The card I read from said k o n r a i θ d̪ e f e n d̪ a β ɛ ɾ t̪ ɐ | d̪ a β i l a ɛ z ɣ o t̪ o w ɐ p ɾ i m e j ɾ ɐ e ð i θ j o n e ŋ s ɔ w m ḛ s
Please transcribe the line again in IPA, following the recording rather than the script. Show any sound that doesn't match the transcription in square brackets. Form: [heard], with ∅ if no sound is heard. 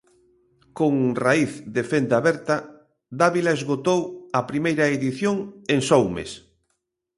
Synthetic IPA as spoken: k o [ŋ] r a i θ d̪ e f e n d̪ a β ɛ ɾ t̪ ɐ | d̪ a β i l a [e] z ɣ o t̪ o w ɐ p ɾ i m e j ɾ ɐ e ð i θ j o [ŋ] e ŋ s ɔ w m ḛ s